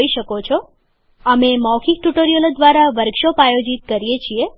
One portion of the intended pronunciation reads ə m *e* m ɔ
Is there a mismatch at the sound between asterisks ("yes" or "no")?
no